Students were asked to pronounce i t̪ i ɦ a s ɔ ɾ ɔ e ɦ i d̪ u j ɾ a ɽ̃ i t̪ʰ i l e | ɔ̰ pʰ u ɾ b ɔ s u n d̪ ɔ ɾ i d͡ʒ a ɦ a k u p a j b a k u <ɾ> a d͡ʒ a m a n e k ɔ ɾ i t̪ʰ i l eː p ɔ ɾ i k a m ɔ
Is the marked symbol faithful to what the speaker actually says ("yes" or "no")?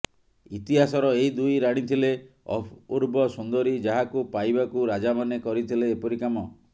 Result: yes